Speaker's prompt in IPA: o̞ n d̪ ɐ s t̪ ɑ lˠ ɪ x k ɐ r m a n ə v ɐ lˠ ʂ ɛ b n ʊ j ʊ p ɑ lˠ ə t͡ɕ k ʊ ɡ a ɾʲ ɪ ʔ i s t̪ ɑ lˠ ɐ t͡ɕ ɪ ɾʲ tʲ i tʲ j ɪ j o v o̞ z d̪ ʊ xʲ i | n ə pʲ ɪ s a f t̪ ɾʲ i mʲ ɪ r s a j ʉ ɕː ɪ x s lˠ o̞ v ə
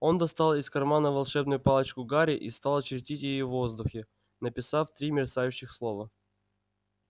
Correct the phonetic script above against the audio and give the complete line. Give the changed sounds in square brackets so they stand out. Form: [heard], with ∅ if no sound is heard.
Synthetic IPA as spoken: o̞ n d̪ ɐ s t̪ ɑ lˠ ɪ [s] k ɐ r m a n ə v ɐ lˠ ʂ ɛ b n ʊ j ʊ p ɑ lˠ ə t͡ɕ k ʊ ɡ a ɾʲ ɪ ʔ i s t̪ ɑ lˠ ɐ t͡ɕ ɪ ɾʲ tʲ i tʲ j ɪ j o v o̞ z d̪ ʊ xʲ [ɪ] | n ə pʲ ɪ s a f t̪ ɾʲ i mʲ ɪ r s a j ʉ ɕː ɪ x s lˠ o̞ v ə

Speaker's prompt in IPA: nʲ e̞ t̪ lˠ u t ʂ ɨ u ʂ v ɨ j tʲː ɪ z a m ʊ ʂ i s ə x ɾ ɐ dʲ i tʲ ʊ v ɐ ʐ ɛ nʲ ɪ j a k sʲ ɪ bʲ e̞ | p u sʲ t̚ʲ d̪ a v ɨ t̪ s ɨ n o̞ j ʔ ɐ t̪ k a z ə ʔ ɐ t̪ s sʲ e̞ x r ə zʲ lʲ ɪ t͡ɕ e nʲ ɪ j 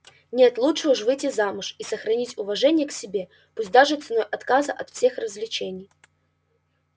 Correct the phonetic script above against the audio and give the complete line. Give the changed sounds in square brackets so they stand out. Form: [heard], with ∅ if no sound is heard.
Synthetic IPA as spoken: nʲ e̞ t̪ lˠ u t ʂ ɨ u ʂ v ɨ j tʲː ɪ z a m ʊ ʂ i s ə x ɾ ɐ [nʲ] i tʲ ʊ v ɐ ʐ ɛ nʲ ɪ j [ə] k sʲ ɪ bʲ e̞ | p u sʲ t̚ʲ d̪ a [ʐ] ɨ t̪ s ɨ n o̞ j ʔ ɐ t̪ k a z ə ʔ ɐ t̪ [f] sʲ e̞ x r ə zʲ lʲ ɪ t͡ɕ e nʲ ɪ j

